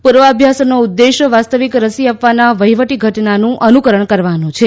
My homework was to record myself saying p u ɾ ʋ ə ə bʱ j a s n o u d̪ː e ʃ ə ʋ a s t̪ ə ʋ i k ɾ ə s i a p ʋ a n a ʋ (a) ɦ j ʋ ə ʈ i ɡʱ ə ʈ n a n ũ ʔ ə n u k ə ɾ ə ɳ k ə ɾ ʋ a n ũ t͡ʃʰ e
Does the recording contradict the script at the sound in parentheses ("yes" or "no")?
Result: yes